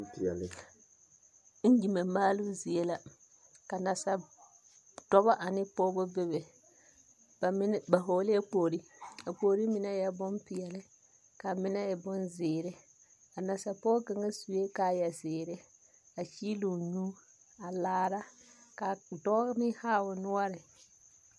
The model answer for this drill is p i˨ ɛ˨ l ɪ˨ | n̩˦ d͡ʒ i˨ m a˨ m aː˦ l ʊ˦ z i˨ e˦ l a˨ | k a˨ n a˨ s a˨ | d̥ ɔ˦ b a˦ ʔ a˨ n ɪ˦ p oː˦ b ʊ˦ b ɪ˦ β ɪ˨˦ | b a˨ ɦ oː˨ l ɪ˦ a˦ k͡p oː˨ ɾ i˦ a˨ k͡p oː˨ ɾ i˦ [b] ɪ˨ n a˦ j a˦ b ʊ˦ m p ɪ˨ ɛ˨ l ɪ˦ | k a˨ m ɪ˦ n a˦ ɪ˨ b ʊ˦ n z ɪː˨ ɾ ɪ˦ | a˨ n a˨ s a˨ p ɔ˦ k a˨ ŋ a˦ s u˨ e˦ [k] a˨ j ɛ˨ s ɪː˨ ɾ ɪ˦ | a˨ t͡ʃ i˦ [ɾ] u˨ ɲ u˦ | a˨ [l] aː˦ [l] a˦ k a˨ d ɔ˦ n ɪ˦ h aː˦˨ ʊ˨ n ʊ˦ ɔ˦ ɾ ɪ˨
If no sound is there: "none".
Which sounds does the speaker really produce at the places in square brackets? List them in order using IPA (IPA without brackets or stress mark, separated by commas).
m, k, l, l, ɾ